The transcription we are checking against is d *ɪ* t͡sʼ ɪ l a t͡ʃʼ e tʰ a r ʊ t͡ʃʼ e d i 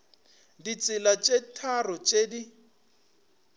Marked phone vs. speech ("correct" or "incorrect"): incorrect